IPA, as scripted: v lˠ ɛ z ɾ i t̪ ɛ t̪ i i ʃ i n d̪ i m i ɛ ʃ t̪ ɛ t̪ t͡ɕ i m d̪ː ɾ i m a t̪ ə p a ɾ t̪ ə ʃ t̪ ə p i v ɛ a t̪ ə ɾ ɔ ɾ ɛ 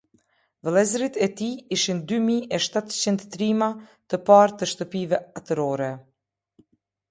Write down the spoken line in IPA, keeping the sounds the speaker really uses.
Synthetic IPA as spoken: v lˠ ɛ z ɾ i t̪ ɛ t̪ i i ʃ i n d̪ y m i ɛ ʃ t̪ a t̪ t͡ɕ i n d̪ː ɾ i m a t̪ ə p a ɾ t̪ ə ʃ t̪ ə p i v ɛ a t̪ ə ɾ ɔ ɾ ɛ